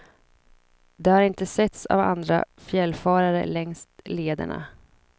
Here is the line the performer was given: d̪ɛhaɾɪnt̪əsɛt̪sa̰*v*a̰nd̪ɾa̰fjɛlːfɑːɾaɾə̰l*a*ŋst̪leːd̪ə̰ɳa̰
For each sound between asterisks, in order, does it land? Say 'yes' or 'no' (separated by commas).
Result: yes, no